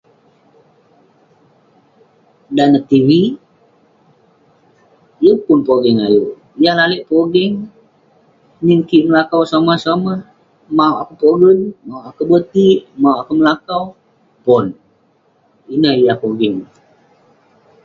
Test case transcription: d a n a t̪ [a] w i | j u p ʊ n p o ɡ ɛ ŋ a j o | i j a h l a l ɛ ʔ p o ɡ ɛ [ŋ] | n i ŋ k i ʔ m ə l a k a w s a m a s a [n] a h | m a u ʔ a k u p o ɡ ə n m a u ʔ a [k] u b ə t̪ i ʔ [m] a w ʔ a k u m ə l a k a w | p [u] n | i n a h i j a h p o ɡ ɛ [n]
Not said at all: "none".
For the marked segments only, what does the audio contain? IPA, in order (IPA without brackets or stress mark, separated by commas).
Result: i, ŋ, m, k, m, ɔ, ŋ